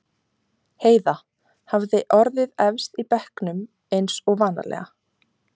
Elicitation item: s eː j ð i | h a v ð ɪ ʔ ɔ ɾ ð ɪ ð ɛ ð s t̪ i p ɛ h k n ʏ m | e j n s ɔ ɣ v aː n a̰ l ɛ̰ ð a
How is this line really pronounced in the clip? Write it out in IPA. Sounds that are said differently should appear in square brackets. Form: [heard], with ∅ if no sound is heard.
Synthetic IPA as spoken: [h] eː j ð [a] | h a v ð ɪ ʔ ɔ ɾ ð ɪ ð ɛ [v] s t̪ i p ɛ h k n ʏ m | e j n s ɔ ɣ v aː n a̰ l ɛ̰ [ɣ] a